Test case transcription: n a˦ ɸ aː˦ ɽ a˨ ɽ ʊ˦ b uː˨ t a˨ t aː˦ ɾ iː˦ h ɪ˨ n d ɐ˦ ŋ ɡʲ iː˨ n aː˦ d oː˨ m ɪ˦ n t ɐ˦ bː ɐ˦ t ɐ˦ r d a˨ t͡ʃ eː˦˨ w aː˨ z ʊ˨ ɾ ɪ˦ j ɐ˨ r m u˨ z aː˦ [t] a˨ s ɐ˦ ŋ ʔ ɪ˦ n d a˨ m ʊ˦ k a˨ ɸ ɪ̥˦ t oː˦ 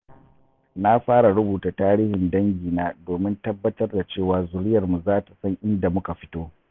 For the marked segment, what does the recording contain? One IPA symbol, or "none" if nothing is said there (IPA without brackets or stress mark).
t